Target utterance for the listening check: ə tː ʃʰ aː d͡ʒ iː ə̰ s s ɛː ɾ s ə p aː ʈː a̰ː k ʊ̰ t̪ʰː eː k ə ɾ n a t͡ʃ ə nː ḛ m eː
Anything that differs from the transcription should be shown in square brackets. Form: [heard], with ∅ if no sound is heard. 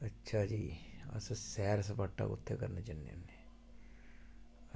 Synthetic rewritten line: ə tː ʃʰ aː d͡ʒ iː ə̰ s s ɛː ɾ s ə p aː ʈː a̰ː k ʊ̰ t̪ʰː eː k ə ɾ n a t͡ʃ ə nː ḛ [n] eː